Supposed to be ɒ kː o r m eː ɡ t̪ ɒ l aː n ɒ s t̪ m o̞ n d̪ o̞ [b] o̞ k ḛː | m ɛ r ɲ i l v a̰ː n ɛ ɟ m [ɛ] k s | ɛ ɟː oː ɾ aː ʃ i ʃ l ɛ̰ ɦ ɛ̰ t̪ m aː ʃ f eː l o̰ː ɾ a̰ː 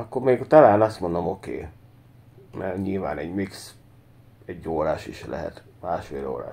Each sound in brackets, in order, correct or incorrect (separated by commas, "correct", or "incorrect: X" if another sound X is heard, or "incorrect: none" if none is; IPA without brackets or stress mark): incorrect: m, incorrect: i